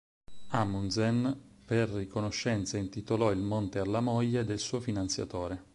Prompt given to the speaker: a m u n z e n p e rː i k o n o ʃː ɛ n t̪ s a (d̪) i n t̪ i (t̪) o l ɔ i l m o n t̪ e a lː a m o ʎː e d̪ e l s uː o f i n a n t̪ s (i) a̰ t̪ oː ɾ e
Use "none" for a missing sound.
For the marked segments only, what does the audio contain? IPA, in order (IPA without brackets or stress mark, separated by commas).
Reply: none, t̪, j